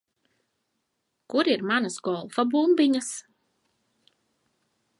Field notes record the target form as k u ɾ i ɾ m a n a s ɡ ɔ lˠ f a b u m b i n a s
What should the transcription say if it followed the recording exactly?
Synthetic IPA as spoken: k u ɾ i ɾ m a n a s ɡ ɔ lˠ f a b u m b i ɲ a s